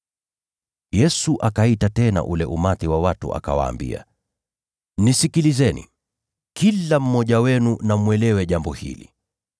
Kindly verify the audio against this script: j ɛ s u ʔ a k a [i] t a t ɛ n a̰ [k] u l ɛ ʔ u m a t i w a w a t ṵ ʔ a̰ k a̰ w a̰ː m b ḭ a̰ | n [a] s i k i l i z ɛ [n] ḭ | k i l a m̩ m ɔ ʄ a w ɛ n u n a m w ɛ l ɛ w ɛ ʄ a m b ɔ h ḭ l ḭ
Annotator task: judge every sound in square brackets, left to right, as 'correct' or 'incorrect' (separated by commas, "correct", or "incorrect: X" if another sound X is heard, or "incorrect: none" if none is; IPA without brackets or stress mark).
correct, incorrect: ʔ, incorrect: i, correct